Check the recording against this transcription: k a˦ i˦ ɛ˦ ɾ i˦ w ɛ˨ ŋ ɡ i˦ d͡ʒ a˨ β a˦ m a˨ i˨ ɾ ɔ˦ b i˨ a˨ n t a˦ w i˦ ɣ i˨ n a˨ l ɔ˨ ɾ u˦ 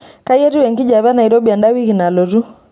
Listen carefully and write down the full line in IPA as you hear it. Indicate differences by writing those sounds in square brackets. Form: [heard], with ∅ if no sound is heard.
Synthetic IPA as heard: k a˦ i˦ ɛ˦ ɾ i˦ w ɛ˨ ŋ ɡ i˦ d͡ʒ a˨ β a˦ [n] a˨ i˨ ɾ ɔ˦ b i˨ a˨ n [d] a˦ w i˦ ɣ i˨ n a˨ l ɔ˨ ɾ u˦